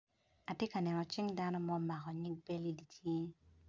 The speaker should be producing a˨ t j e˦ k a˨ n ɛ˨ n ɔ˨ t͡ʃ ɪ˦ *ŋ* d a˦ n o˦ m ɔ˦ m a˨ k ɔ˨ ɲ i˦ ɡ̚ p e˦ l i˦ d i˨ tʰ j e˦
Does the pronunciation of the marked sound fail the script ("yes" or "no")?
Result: no